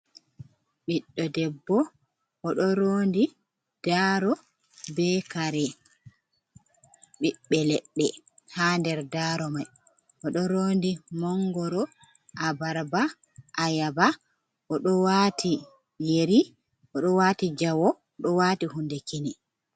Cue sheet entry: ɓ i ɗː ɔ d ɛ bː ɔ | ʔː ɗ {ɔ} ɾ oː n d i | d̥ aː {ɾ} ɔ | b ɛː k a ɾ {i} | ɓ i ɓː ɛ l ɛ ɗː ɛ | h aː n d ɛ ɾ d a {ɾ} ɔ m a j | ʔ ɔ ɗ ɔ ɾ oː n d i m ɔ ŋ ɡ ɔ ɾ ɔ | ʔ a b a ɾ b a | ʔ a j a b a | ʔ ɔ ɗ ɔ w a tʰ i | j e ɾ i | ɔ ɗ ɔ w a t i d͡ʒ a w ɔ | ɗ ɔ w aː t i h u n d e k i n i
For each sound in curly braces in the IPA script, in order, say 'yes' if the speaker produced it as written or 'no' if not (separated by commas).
yes, yes, no, yes